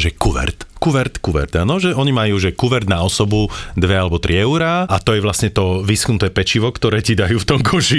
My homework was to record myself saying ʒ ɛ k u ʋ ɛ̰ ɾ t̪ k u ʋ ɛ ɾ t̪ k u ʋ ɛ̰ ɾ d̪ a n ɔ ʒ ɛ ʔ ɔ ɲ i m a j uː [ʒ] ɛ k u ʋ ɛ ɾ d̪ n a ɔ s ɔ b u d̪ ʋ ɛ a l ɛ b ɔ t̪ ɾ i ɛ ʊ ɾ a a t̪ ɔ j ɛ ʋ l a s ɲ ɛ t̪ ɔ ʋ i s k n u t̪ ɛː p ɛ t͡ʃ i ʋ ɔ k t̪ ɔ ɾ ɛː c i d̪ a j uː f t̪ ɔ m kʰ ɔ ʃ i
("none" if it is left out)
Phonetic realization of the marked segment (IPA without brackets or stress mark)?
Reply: ʒ